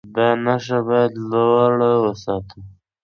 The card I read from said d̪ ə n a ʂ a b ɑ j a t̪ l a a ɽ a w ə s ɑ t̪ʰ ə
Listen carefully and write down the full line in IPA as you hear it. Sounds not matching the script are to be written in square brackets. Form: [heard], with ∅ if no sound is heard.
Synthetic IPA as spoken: d̪ [ɑ] n a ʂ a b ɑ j a [d̪] l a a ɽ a w ə s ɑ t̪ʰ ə